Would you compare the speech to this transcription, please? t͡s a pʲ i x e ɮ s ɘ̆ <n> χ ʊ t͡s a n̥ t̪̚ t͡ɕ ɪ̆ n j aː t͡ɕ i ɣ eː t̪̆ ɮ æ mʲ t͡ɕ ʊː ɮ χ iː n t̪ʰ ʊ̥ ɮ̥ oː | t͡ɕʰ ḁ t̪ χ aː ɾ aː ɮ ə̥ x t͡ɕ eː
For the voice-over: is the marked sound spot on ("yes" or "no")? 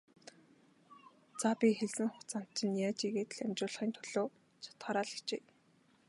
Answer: no